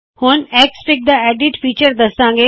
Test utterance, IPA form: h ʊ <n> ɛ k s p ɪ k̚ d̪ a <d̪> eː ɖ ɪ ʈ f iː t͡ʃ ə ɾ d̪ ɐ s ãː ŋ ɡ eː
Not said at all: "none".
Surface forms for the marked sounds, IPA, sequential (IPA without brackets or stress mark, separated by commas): n, none